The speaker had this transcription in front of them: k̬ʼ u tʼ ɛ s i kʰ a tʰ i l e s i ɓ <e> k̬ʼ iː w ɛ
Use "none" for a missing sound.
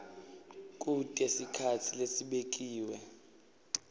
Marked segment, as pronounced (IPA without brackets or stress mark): e